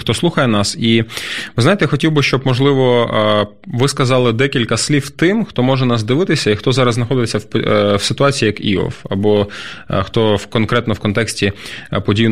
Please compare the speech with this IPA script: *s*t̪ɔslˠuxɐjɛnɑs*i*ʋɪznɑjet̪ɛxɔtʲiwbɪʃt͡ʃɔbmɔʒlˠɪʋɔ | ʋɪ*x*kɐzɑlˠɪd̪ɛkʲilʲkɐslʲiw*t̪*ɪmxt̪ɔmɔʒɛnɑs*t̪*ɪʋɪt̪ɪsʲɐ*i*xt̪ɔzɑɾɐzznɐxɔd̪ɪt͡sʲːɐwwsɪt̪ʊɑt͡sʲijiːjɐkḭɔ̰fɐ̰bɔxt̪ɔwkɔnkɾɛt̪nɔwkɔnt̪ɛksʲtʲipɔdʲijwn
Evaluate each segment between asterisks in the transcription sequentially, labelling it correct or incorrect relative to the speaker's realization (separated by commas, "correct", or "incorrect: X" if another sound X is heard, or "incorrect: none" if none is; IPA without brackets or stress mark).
incorrect: x, correct, incorrect: s, correct, incorrect: d̪, correct